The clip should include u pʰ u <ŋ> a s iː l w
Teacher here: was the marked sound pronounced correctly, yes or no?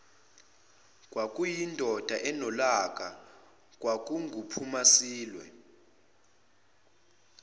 no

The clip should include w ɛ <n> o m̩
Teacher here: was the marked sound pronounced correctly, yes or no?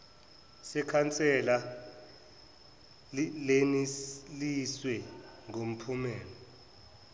no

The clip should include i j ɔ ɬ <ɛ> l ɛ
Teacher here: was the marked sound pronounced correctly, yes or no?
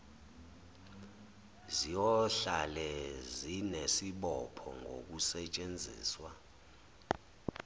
no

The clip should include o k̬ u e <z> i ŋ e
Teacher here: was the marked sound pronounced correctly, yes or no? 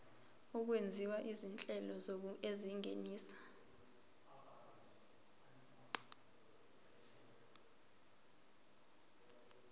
yes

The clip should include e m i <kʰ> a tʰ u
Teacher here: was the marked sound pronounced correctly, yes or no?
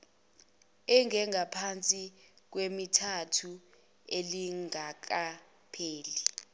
no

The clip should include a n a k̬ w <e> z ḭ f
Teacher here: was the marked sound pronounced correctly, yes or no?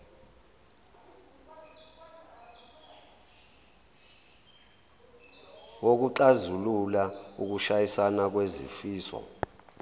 yes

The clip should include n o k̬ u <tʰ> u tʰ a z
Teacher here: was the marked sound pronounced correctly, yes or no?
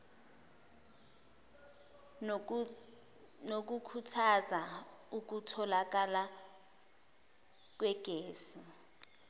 no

